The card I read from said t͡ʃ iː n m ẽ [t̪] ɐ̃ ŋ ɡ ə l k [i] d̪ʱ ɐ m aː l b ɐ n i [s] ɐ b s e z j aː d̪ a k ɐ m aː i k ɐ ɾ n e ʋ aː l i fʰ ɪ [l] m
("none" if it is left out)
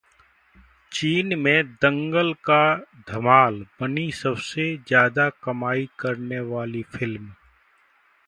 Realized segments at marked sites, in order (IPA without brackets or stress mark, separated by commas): d̪, a, s, l